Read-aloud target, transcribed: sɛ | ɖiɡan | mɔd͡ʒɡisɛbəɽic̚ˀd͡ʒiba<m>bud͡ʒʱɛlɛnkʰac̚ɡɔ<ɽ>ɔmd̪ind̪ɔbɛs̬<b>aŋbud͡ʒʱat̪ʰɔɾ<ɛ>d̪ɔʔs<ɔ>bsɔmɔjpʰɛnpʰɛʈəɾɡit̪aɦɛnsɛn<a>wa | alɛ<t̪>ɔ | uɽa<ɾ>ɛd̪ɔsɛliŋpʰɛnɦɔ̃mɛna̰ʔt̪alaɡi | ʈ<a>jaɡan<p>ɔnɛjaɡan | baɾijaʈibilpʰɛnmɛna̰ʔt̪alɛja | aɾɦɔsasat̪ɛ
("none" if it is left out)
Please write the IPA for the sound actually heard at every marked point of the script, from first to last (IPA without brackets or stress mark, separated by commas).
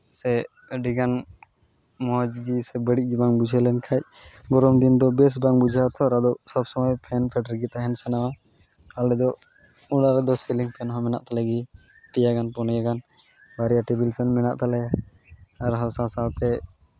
ŋ, ɾ, b, a, ɔ, a, d̪, ɾ, i, p